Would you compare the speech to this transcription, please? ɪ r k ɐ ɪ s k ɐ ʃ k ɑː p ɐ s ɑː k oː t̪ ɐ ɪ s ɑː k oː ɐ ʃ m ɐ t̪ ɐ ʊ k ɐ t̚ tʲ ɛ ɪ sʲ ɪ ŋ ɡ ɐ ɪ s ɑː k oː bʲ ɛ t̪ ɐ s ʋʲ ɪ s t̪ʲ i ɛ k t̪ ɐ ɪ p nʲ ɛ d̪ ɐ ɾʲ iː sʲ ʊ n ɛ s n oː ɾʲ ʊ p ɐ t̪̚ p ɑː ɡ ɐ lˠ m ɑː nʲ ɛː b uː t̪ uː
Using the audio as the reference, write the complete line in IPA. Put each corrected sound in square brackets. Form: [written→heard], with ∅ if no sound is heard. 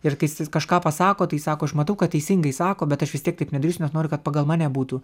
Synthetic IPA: ɪ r k ɐ ɪ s k ɐ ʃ k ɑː p ɐ s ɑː k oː t̪ ɐ ɪ s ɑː k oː ɐ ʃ m ɐ t̪ ɐ ʊ k ɐ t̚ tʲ ɛ ɪ sʲ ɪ ŋ ɡ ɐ ɪ s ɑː k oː bʲ ɛ t̪ ɐ [s→ʃ] ʋʲ ɪ s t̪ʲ i ɛ k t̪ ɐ ɪ p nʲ ɛ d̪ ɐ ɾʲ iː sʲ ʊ n ɛ s n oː ɾʲ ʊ [p→k] ɐ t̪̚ p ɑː ɡ ɐ lˠ m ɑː nʲ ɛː b uː t̪ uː